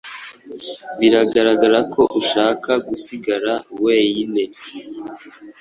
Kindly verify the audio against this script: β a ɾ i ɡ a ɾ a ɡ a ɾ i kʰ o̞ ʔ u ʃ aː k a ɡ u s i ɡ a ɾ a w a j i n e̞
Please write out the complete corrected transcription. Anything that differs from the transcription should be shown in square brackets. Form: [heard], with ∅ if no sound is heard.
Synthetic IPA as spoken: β [i] ɾ [a] ɡ a ɾ a ɡ a ɾ [a] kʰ o̞ ʔ u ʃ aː k a ɡ u s i ɡ a ɾ a w [e] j i n e̞